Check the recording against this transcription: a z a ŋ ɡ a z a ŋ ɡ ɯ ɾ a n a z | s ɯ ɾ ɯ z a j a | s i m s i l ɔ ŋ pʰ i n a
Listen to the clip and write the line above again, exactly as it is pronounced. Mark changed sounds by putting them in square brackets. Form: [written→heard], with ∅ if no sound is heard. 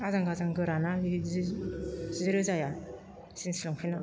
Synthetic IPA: a z a ŋ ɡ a z a ŋ ɡ ɯ ɾ a n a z | [s→z] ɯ ɾ ɯ z a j a | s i [m→n] s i l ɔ ŋ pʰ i n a